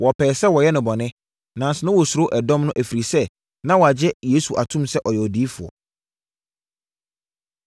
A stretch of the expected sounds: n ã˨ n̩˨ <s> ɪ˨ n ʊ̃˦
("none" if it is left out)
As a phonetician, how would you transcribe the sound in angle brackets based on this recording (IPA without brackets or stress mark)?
s